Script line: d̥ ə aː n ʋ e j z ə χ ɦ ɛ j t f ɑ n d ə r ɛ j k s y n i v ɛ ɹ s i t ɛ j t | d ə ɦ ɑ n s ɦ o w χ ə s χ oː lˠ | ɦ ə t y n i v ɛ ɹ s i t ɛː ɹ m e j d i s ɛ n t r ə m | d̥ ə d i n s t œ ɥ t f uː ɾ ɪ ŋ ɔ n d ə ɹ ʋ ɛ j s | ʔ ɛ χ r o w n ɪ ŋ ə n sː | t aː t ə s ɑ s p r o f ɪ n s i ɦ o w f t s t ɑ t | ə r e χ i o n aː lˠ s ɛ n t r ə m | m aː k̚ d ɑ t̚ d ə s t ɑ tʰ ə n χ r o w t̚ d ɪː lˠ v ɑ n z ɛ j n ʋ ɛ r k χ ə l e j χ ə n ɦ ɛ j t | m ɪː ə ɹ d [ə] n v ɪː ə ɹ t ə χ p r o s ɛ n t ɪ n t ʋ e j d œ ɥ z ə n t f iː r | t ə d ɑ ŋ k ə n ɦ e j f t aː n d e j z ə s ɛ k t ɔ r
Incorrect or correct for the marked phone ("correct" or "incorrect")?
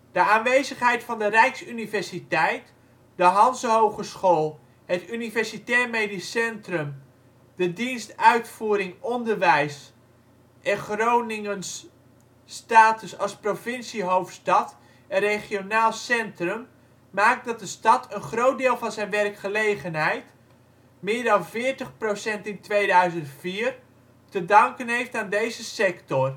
incorrect